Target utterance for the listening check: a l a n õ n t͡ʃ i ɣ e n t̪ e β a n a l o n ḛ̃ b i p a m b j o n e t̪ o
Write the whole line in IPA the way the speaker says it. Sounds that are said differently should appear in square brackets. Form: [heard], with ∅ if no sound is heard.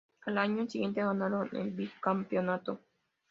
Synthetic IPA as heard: a l a [ɲ] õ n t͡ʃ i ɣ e n t̪ e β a n a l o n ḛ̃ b i [k] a m [p] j o n [a] t̪ o